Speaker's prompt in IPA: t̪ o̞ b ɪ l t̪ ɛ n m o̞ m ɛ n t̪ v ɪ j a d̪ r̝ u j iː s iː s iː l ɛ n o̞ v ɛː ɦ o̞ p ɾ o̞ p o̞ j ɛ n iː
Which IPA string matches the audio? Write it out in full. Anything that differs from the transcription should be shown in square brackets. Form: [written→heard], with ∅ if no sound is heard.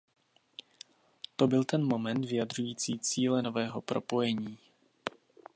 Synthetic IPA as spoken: t̪ o̞ b ɪ l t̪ ɛ n m o̞ m ɛ n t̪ v ɪ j a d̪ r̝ u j iː [s→t͡s] iː [s→t͡s] iː l ɛ n o̞ v ɛː ɦ o̞ p ɾ o̞ p o̞ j ɛ [n→ɲ] iː